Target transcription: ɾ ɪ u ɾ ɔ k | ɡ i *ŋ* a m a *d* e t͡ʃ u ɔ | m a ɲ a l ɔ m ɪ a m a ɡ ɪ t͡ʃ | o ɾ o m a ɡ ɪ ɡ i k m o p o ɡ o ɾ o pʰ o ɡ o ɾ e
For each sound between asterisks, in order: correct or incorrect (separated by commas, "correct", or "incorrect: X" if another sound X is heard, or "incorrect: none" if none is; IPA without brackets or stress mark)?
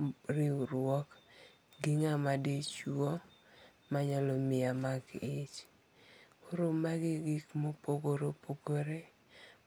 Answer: correct, correct